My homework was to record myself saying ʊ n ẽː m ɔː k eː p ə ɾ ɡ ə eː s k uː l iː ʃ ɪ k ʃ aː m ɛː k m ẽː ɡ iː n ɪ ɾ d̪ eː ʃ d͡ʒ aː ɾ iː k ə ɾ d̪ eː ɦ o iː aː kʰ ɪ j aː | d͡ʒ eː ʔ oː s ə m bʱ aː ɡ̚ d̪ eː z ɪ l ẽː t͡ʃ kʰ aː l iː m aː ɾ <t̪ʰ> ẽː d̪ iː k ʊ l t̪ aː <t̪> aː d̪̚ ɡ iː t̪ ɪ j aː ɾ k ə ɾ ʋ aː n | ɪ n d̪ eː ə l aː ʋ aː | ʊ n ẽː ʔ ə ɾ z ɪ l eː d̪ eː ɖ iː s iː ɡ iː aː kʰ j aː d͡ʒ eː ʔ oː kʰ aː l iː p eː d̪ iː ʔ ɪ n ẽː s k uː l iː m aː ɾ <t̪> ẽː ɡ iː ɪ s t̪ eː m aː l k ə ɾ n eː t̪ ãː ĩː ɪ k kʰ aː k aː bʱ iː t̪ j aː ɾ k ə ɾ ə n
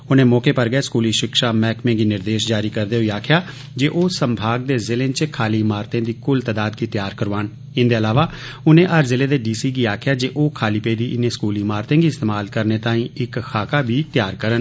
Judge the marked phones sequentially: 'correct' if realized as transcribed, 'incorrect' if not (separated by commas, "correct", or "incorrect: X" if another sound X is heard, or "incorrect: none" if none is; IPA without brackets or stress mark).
incorrect: t̪, incorrect: d̪, correct